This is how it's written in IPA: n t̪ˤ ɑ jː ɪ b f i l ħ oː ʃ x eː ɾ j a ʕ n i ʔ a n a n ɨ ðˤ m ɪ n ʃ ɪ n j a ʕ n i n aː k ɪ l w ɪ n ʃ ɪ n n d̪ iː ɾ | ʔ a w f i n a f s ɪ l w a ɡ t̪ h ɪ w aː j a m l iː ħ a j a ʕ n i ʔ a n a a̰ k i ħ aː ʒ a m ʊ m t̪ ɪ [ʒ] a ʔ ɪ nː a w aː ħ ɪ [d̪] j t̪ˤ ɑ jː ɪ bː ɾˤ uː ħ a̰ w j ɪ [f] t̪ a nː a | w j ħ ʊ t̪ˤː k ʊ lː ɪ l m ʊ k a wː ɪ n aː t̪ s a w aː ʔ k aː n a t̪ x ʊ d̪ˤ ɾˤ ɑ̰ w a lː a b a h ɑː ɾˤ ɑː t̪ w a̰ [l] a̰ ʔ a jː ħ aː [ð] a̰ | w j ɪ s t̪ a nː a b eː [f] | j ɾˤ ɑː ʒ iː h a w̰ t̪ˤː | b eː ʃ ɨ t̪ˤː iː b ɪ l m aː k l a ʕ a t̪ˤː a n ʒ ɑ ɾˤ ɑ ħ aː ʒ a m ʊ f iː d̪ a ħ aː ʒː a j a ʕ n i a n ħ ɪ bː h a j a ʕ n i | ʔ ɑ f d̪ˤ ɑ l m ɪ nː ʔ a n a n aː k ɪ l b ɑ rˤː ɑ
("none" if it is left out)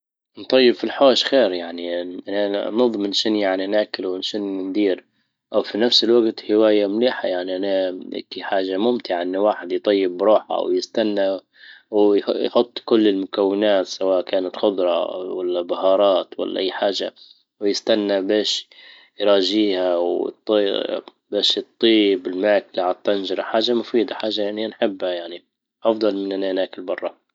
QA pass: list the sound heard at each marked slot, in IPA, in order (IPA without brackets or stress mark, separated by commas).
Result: ʕ, d̪, s, lː, ʒ, ʃ